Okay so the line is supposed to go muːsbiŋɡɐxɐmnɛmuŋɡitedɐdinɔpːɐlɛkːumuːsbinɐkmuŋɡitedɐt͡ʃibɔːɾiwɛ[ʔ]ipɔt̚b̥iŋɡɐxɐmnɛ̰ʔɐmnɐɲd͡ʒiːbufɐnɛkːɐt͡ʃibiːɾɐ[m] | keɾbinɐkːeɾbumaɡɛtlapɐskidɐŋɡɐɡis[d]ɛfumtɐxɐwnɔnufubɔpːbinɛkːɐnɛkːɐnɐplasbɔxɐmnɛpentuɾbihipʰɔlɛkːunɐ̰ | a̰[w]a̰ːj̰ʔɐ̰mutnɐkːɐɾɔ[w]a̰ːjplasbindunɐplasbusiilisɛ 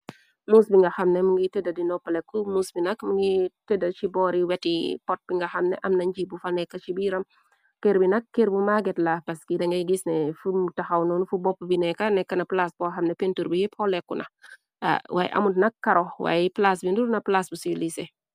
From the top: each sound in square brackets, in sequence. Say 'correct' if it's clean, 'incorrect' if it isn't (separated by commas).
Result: incorrect, correct, incorrect, correct, correct